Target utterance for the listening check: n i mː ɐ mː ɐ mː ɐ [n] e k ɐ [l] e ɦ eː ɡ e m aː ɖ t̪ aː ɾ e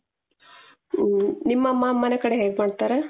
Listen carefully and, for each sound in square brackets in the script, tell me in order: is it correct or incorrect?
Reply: correct, incorrect

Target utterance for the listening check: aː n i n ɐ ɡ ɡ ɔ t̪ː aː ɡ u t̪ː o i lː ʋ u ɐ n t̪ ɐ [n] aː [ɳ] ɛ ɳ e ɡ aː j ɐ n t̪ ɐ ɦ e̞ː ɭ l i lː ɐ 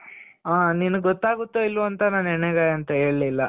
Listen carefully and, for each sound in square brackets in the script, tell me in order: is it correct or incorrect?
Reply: correct, incorrect

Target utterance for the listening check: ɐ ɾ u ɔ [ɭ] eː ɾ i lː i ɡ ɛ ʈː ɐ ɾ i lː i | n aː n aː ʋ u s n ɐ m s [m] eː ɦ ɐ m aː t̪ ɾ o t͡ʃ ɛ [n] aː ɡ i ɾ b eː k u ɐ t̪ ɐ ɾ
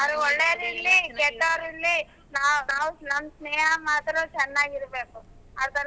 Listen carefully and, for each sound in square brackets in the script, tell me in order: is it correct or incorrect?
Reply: incorrect, incorrect, incorrect

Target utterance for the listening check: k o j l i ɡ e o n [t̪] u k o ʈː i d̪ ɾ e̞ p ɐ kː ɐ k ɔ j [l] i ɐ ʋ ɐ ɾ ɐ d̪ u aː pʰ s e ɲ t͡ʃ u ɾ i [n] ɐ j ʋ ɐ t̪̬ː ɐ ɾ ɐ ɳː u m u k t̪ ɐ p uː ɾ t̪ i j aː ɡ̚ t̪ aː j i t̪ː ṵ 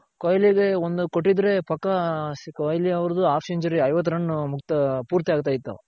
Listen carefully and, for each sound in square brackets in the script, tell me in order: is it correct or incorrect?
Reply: incorrect, correct, incorrect

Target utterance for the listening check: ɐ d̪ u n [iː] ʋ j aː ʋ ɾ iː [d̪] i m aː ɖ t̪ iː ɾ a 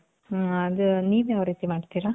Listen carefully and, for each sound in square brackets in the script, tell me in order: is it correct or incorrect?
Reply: correct, incorrect

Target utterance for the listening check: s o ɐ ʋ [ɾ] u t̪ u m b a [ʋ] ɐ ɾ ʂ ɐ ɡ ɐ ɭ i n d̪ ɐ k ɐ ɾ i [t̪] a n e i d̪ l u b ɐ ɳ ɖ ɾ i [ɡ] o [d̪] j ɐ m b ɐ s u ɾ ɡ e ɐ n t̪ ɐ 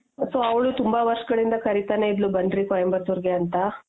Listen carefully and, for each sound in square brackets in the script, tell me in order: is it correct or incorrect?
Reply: incorrect, correct, correct, incorrect, incorrect

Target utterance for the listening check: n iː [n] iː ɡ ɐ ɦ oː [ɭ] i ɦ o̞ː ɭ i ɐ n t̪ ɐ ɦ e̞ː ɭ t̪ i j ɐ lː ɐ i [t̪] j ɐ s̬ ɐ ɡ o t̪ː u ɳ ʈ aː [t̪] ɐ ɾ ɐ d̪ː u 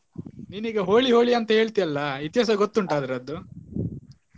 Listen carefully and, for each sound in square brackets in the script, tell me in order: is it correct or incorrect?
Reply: correct, correct, correct, incorrect

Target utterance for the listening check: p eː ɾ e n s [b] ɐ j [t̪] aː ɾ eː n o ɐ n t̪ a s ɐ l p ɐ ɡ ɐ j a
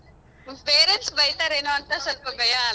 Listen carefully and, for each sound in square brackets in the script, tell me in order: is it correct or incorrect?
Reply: correct, correct

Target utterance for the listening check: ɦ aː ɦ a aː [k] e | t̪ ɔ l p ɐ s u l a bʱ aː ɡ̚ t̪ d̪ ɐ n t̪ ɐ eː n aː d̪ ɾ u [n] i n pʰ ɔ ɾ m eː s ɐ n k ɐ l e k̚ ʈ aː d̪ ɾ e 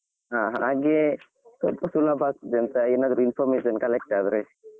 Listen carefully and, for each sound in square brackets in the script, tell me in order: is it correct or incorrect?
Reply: incorrect, incorrect

